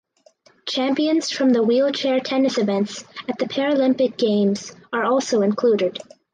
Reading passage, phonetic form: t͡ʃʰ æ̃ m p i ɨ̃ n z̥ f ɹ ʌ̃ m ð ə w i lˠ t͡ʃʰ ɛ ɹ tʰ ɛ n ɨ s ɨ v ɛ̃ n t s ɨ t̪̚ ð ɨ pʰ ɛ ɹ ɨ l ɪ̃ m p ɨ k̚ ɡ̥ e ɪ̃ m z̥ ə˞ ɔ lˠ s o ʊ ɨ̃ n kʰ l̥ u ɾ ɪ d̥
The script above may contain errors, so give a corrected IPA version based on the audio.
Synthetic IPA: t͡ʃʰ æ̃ m p i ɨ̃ n z̥ f ɹ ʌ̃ m ð ə w i lˠ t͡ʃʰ ɛ ɹ tʰ ɛ n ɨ s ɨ v ɛ̃ n t s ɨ t̪̚ ð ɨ pʰ ɛ ɹ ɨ l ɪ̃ m p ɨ k̚ ɡ̥ ẽ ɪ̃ m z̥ ə˞ ɔ lˠ s o ʊ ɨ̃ n kʰ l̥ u ɾ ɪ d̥